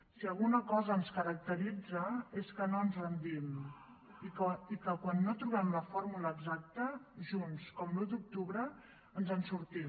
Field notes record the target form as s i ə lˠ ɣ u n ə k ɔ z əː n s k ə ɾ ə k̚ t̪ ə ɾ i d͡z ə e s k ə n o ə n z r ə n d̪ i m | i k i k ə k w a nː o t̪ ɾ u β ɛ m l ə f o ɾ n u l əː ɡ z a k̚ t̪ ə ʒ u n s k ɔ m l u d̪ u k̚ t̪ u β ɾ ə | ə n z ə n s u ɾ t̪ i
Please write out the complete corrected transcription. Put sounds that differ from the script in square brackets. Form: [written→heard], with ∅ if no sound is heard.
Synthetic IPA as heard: s i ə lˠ ɣ u n ə k ɔ z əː n s k ə ɾ ə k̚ t̪ ə ɾ i d͡z ə e s k ə n o ə n z r ə n d̪ i m | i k i k ə k w a nː o t̪ ɾ u β ɛ m l ə f o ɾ [n→m] u l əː ɡ z a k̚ t̪ ə ʒ u n s k ɔ m l u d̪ u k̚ t̪ u β ɾ ə | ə n z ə n s u ɾ t̪ i